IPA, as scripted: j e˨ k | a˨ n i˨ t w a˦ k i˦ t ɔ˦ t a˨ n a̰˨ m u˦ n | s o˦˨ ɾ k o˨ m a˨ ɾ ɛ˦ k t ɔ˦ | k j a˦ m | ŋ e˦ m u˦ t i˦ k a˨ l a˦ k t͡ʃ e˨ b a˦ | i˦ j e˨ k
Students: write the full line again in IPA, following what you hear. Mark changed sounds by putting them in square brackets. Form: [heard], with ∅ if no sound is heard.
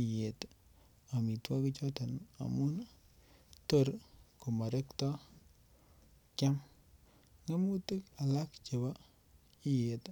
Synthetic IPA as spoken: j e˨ [t] | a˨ [m] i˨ t w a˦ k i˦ [t͡ʃ] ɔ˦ t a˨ n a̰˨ m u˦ n | [t] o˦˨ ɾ k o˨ m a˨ ɾ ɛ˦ k t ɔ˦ | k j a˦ m | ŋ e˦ m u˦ t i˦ k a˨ l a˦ k t͡ʃ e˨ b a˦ | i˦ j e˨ [t]